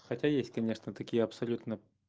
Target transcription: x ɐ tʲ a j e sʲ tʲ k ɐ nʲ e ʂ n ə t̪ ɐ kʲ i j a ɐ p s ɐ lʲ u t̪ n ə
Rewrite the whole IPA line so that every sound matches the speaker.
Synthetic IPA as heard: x ɐ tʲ a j e sʲ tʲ k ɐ nʲ e ʂ n ə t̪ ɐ kʲ i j ə ɐ p s ɐ lʲ u t̪ n ə